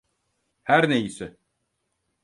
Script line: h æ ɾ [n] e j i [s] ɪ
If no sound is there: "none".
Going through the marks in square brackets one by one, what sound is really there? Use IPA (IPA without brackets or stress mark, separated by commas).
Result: n, s